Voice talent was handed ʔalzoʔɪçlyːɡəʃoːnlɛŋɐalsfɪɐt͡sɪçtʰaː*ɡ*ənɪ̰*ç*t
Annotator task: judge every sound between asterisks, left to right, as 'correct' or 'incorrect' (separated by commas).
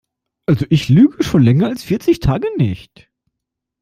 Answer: correct, correct